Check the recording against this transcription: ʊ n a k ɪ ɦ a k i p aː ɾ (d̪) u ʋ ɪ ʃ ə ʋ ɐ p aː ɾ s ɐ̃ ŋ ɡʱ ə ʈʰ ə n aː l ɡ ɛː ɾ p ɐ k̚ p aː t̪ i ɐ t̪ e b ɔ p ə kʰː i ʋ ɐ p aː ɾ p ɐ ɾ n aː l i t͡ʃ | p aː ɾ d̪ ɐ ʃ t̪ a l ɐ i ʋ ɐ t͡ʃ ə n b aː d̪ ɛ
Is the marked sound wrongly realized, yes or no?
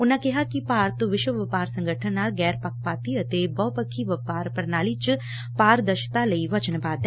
yes